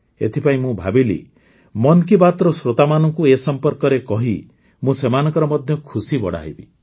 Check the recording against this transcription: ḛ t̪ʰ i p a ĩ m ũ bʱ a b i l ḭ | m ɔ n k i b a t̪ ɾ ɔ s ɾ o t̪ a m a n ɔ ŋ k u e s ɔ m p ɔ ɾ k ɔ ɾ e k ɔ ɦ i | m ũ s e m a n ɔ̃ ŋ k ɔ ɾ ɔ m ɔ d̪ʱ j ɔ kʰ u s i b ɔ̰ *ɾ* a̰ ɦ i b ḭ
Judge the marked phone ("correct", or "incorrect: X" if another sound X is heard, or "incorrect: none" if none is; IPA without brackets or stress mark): incorrect: ɽ